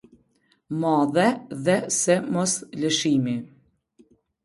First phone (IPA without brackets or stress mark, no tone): m